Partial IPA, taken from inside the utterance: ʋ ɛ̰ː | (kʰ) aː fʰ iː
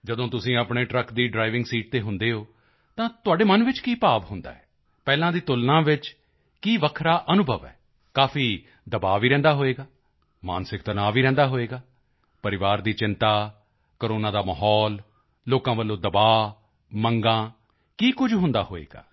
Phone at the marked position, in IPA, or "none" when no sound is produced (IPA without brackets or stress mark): k